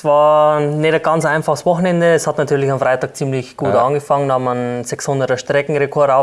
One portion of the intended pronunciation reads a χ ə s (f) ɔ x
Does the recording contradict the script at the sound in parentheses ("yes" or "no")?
yes